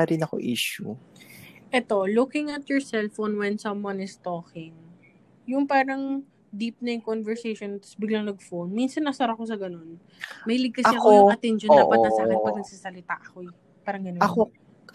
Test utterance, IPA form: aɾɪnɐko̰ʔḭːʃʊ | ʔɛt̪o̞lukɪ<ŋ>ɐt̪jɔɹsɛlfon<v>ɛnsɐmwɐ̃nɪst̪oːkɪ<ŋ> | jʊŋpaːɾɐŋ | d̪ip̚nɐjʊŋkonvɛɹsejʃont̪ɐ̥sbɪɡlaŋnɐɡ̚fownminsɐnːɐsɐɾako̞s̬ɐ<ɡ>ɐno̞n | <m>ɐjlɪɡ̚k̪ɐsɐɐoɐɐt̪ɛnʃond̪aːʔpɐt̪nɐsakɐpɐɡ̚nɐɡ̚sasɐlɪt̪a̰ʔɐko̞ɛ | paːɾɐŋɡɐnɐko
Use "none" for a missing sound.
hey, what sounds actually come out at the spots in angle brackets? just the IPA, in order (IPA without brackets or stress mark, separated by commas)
ŋ, w, ŋ, ɡ, m